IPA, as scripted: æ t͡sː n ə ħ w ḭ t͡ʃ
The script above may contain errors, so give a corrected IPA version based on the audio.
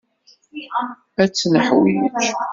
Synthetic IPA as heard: æ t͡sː n ə ħ w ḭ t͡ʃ

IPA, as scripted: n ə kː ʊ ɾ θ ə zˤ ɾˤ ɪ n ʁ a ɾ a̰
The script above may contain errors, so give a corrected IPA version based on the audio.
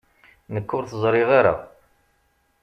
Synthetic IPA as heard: n ə kː ʊ ɾ θ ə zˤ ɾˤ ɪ ʁ a ɾ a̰

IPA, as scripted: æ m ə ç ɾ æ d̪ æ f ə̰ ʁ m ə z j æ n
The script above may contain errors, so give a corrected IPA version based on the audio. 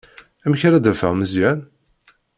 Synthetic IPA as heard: æ m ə ç ɾ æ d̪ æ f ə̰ ʁ m ə z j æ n

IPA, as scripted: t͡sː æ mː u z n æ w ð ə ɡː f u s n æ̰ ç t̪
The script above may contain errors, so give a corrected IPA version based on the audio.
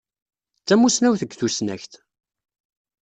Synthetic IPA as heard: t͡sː æ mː u s n æ w θ ə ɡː θ u s n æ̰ ç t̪

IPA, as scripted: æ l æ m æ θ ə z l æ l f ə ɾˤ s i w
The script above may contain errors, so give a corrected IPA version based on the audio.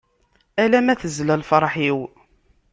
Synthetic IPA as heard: æ l æ m æ θ ə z l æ l f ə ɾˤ ħ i w

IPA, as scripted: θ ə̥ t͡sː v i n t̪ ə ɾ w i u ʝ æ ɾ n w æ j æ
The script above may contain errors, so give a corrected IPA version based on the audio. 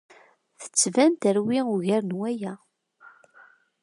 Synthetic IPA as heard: θ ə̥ t͡sː v æ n t̪ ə ɾ w i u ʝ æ ɾ n w æ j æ

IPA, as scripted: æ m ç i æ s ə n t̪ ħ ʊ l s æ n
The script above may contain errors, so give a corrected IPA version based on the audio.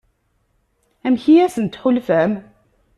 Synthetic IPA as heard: æ m ç i æ s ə n t̪ ħ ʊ l f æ m

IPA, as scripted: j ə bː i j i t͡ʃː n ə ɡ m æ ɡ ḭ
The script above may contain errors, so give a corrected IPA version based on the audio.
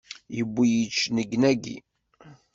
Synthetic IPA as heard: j ə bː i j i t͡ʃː n ə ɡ n æ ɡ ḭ

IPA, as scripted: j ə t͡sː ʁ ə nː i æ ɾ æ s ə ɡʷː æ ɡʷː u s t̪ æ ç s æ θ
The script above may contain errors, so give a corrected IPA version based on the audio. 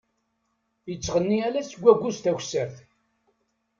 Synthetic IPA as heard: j ə t͡sː ʁ ə nː i æ l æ s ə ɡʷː æ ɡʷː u s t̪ æ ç s æ θ

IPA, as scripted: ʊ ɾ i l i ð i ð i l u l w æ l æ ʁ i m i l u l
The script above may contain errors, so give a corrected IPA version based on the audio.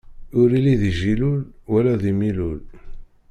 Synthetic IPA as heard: ʊ ɾ i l i ð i ʒ i l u l w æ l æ ð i m i l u l

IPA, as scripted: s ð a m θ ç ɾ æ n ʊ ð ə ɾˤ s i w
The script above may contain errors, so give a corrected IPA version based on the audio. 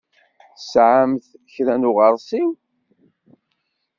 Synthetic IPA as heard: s ʕ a m θ ç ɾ æ n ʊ ʁ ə ɾˤ s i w

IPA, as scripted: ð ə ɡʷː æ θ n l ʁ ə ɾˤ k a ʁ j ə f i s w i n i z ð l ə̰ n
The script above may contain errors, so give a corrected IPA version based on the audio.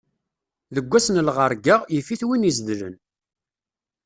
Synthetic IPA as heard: ð ə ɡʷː æ s n l ʁ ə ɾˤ ɡ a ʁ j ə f i θ w i n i z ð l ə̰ n

